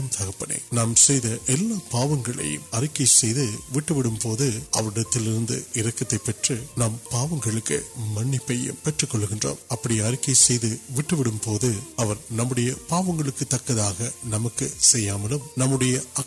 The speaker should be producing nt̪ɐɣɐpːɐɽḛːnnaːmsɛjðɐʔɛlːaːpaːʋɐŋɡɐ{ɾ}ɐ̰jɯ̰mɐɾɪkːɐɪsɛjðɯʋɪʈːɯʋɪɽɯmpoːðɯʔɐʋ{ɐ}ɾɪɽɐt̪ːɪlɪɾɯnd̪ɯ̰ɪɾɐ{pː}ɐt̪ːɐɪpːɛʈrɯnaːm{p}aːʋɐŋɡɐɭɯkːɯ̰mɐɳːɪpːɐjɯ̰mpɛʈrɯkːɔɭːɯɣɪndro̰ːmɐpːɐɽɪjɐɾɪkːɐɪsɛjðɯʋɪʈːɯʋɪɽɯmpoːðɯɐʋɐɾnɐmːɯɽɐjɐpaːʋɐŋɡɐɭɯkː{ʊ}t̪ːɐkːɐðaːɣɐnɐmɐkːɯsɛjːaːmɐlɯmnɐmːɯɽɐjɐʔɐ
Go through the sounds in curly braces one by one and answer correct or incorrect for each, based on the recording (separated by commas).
incorrect, correct, incorrect, correct, incorrect